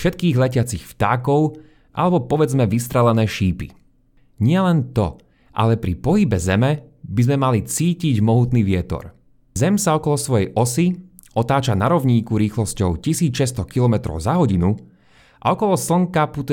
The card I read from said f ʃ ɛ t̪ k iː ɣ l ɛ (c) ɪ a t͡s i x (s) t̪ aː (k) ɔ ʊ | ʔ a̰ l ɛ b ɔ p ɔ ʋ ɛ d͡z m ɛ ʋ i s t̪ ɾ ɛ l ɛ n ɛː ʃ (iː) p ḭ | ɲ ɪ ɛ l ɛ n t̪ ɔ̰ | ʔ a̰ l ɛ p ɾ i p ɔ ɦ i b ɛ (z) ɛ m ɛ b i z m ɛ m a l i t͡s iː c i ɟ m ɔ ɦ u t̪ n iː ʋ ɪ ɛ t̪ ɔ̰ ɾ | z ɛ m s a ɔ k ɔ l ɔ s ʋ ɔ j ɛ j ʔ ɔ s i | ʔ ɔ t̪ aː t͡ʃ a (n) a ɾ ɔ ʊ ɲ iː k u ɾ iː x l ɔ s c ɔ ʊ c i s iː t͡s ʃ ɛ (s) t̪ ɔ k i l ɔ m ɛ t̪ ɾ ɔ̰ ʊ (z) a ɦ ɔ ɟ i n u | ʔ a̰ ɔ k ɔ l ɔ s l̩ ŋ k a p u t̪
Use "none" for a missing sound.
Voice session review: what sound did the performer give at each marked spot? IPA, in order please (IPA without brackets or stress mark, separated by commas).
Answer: c, f, k, iː, z, n, s, z